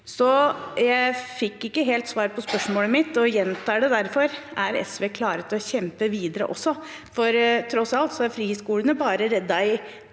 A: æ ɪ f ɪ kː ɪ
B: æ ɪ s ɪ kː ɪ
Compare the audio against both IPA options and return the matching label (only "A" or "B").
A